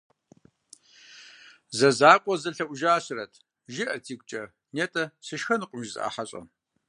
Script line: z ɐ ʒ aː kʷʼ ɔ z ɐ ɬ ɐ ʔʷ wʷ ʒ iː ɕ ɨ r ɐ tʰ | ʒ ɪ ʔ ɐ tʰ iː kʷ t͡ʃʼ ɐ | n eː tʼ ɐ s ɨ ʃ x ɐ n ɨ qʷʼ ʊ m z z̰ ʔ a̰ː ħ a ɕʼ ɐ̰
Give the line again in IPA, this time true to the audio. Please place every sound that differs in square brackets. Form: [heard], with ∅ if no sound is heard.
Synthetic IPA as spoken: z ɐ [z] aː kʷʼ ɔ z ɐ ɬ ɐ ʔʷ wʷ ʒ [aː] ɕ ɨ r ɐ tʰ | ʒ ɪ ʔ ɐ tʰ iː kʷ t͡ʃʼ ɐ | n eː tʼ ɐ s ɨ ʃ x ɐ n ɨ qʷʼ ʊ m [ʒ] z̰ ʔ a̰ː ħ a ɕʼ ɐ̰

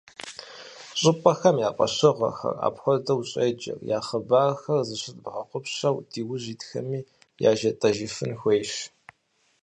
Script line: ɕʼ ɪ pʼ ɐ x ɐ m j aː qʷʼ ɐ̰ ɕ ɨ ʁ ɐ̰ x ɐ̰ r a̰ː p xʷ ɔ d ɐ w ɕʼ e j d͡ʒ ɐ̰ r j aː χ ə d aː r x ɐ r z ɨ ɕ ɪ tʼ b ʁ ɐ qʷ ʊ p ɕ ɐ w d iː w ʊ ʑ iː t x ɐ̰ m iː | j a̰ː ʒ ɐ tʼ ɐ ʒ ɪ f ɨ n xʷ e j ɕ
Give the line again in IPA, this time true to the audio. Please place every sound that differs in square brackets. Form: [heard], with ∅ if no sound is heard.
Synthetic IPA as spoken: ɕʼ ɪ pʼ ɐ x ɐ m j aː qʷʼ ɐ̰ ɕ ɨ ʁ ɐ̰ x ɐ̰ r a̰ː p xʷ ɔ d ɐ w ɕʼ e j d͡ʒ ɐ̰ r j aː χ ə [b] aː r x ɐ r z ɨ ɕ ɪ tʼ b ʁ ɐ qʷ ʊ p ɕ ɐ w d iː w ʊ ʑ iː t x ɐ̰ m iː | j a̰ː ʒ ɐ tʼ ɐ ʒ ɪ f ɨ n xʷ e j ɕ

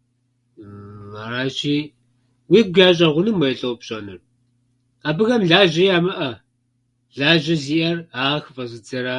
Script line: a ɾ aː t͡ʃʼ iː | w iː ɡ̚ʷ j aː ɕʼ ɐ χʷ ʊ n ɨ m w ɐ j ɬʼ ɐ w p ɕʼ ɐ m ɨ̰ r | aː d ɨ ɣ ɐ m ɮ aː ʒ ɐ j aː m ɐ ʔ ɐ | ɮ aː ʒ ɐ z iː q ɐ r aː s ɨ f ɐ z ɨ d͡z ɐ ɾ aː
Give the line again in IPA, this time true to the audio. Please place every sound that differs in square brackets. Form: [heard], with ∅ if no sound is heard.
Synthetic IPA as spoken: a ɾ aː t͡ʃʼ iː | w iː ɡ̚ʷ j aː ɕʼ ɐ [ʁʷ] ʊ n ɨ m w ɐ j ɬʼ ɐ w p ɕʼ ɐ [n] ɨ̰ r | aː [b] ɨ ɣ ɐ m ɮ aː ʒ ɐ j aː m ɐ ʔ ɐ | ɮ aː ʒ ɐ z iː [ʔ] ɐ r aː [x] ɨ f ɐ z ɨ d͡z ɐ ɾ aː

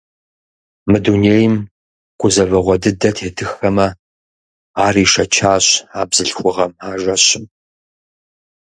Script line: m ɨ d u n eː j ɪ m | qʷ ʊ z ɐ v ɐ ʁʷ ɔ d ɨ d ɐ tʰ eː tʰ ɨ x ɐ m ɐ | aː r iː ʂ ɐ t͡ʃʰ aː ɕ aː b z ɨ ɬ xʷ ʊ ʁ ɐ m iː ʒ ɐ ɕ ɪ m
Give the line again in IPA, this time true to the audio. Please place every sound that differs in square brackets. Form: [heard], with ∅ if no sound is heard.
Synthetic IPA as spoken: m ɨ d u n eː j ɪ m | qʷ ʊ z ɐ v ɐ ʁʷ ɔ d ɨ d ɐ tʰ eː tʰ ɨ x ɐ m ɐ | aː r iː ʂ ɐ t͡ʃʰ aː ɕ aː b z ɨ ɬ xʷ ʊ ʁ ɐ m [aː] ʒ ɐ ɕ ɪ m

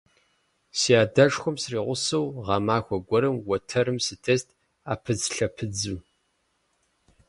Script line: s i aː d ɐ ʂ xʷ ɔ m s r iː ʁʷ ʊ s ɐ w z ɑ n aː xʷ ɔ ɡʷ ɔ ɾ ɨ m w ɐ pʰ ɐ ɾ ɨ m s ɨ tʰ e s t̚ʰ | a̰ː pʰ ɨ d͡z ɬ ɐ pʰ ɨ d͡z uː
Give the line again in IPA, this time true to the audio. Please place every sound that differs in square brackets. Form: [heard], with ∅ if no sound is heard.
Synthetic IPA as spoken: s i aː d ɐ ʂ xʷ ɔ m s r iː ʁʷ ʊ s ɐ w [ʁ] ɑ [m] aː xʷ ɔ ɡʷ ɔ ɾ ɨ m w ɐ [tʰ] ɐ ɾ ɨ m s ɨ tʰ e s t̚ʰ | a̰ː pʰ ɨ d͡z ɬ ɐ pʰ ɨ d͡z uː

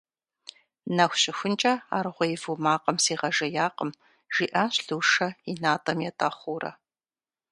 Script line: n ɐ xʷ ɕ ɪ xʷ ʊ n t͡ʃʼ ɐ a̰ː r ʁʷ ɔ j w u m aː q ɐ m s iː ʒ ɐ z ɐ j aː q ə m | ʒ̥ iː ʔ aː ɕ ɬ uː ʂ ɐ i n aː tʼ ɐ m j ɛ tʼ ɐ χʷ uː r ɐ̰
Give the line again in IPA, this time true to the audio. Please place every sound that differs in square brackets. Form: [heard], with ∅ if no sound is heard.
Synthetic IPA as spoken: n ɐ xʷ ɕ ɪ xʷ ʊ n t͡ʃʼ ɐ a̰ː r ʁʷ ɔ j [v] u m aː q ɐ m s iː [ʁ] ɐ [ʒ] ɐ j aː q ə m | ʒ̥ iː ʔ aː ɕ ɬ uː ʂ ɐ i n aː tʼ ɐ m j ɛ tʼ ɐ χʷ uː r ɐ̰

